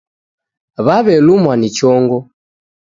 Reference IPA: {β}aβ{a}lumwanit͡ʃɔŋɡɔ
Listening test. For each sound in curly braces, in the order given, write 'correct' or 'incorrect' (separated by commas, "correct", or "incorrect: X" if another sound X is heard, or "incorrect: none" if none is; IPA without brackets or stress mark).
correct, incorrect: ɛ